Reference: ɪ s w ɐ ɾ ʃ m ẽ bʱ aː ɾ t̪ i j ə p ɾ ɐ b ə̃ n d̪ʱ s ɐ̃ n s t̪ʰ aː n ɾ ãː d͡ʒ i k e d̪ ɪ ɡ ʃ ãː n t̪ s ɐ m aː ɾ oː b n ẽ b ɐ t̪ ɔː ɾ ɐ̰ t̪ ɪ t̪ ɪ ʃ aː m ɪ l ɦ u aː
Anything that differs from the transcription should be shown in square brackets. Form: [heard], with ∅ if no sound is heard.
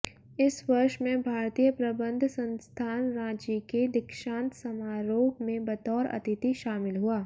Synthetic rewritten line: ɪ s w ɐ ɾ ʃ m ẽ bʱ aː ɾ t̪ i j ə p ɾ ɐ b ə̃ n d̪ʱ s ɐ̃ n s t̪ʰ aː n ɾ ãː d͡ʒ i k e d̪ ɪ [k] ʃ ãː n t̪ s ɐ m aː ɾ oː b [m] ẽ b ɐ t̪ ɔː ɾ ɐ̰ t̪ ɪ t̪ [i] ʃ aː m ɪ l ɦ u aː